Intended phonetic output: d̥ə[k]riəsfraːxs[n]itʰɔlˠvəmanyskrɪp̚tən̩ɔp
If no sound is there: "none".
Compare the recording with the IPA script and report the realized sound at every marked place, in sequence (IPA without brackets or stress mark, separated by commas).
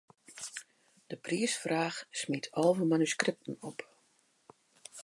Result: p, m